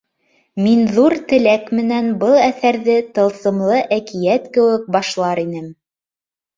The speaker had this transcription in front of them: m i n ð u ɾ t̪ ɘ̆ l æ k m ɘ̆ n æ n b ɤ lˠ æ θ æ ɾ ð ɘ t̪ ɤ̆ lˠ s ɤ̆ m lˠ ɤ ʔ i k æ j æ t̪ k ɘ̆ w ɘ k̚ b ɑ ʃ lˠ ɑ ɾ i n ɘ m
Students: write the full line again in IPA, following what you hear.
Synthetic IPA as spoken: m i n ð u ɾ t̪ ɘ̆ l æ k m ɘ̆ n æ n b ɤ lˠ æ θ æ ɾ ð ɘ t̪ ɤ̆ lˠ s ɤ̆ m lˠ ɤ ʔ æ k i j æ t̪ k ɘ̆ w ɘ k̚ b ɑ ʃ lˠ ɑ ɾ i n ɘ m